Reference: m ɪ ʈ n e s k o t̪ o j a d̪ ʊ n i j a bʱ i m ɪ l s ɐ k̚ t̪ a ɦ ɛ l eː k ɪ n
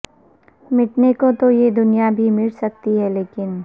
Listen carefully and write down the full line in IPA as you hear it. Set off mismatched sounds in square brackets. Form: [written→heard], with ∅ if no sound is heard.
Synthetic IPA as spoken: m ɪ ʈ n e [s→∅] k o t̪ o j [a→e] d̪ ʊ n i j a bʱ i m ɪ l s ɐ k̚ t̪ [a→i] ɦ ɛ l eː k ɪ n